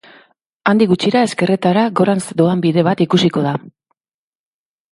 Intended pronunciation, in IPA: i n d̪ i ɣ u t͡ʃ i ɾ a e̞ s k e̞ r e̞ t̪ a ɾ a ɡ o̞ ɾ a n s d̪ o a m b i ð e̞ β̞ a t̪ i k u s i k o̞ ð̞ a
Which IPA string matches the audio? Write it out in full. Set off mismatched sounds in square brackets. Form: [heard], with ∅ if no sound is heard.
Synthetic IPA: [a] n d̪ i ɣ u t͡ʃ i ɾ a e̞ s k e̞ r e̞ t̪ a ɾ a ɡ o̞ ɾ a n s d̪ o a m b i ð e̞ β̞ a t̪ i k u s i k o̞ ð̞ a